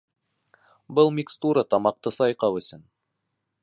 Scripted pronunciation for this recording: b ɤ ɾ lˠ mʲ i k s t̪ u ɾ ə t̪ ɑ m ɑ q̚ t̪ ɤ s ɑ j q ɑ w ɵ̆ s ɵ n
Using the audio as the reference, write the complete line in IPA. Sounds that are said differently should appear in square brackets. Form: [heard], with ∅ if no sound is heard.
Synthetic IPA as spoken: b ɤ [∅] lˠ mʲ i k s t̪ u ɾ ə t̪ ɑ m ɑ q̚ t̪ ɤ s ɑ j q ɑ w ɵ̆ s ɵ n